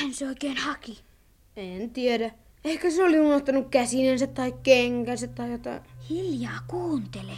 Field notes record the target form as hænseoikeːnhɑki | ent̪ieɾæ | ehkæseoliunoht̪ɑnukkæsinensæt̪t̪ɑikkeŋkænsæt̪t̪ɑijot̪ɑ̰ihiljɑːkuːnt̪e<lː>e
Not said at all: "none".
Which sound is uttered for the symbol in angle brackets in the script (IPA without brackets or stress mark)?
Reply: l